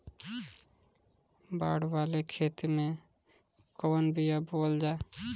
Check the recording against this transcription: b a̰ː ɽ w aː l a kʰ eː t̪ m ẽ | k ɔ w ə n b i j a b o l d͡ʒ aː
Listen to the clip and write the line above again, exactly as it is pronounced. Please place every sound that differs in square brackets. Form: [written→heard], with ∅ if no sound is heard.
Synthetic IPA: b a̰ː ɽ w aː l [a→e] kʰ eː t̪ m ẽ | k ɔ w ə n b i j a b o l d͡ʒ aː